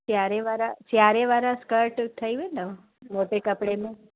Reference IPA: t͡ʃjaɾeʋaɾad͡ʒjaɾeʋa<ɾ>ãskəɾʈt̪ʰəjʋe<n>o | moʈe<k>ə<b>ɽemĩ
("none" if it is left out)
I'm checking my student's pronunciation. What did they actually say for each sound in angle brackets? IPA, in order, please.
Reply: ɾ, n, k, p

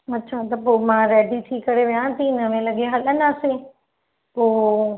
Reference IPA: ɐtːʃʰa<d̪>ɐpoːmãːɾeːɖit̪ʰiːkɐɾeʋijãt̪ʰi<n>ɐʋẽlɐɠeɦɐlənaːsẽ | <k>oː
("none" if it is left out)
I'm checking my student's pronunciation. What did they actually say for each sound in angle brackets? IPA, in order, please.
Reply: t̪, n, p

